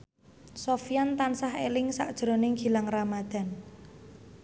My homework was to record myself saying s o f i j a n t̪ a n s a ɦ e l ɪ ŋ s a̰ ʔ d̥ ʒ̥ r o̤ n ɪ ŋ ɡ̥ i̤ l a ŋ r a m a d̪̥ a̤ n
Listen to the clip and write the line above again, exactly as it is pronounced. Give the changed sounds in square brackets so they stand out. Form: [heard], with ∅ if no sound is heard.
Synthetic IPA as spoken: s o f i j a n t̪ a n s a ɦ e l ɪ ŋ s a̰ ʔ d̥ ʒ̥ [ɾ] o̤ n ɪ ŋ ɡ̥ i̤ l a ŋ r a m a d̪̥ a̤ n